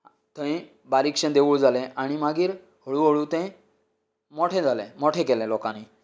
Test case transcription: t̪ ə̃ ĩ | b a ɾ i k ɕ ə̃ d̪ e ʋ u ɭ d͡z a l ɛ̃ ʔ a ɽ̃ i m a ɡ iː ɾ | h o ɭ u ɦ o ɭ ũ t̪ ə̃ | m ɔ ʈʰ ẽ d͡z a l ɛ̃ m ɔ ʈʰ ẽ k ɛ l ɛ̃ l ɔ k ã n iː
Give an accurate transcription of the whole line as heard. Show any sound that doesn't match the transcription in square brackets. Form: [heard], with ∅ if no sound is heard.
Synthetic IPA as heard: t̪ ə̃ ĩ | b a ɾ i k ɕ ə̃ d̪ e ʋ u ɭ d͡z a l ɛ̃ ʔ a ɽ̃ i m a ɡ iː ɾ | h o ɭ u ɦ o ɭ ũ t̪ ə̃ | m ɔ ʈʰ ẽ d͡z a l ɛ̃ m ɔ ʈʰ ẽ k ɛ l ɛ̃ l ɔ k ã n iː